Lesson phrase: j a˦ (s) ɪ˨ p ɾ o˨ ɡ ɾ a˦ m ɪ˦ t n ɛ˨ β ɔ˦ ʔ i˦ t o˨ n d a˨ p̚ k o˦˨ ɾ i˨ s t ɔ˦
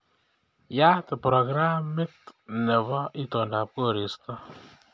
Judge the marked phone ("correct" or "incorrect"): incorrect